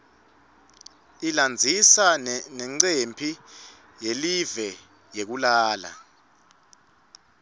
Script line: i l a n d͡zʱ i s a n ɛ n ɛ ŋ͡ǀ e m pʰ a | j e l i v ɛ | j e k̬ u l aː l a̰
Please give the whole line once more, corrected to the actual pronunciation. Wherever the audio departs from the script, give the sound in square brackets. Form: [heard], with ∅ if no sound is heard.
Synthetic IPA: i l a n d͡zʱ i s a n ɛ n ɛ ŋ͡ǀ e m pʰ [i] | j e l i v ɛ | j e k̬ u l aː l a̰

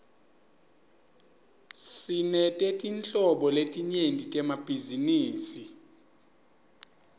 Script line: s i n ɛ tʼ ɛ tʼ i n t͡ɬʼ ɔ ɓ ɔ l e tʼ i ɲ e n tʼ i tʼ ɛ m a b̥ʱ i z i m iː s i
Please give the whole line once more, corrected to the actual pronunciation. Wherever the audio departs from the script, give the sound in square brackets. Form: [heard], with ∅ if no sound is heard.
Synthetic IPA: s i n ɛ tʼ ɛ tʼ i n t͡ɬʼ ɔ ɓ ɔ l e tʼ i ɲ e n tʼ i tʼ ɛ m a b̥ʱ i z i [n] iː s i

